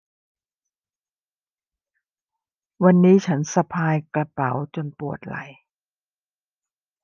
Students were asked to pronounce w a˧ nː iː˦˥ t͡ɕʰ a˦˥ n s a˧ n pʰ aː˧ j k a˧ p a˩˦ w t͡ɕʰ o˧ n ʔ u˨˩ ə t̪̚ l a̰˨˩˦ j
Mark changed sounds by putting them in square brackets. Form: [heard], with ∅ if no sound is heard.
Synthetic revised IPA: w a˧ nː iː˦˥ t͡ɕʰ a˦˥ n s a˧ [∅] pʰ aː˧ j k a˧ p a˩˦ w [t͡ɕ] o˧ n [p] u˨˩ ə t̪̚ l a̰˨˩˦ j